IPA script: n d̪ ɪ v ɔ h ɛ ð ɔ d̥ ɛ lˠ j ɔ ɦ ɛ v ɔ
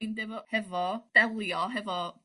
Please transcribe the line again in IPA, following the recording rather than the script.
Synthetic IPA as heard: n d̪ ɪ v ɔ h ɛ v ɔ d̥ ɛ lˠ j ɔ ɦ ɛ v ɔ